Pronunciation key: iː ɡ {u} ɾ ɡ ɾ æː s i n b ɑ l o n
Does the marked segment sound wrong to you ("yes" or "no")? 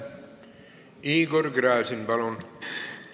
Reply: yes